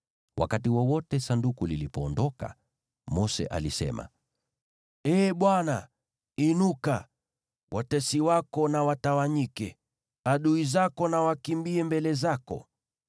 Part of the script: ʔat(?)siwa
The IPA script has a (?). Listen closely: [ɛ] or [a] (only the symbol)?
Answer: ɛ